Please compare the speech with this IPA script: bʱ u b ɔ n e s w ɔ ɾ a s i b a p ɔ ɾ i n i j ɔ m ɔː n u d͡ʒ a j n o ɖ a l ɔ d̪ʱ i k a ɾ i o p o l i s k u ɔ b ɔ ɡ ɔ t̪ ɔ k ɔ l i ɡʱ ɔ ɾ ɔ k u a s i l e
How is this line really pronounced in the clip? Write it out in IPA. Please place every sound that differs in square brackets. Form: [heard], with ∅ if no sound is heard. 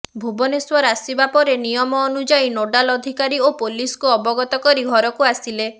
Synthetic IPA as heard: bʱ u b ɔ n e s w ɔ ɾ a s i b a p ɔ ɾ [e] n i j ɔ m ɔː n u d͡ʒ a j n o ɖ a l ɔ d̪ʱ i k a ɾ i o p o l i s k u ɔ b ɔ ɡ ɔ t̪ ɔ k ɔ [ɾ] i ɡʱ ɔ ɾ ɔ k u a s i l e